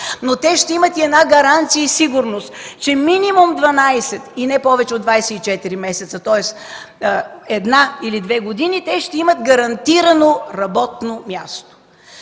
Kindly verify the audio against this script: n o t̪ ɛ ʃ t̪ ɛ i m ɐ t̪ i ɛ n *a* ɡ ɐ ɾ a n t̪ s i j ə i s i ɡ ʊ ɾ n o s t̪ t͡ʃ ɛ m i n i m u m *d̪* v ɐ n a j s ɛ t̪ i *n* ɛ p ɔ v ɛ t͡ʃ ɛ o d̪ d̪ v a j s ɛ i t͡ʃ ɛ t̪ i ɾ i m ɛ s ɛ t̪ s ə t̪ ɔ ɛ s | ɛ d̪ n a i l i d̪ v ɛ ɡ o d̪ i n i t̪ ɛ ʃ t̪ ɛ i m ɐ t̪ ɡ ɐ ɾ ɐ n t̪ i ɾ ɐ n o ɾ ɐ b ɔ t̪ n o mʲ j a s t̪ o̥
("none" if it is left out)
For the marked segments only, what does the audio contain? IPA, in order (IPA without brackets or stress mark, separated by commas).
a, d̪, n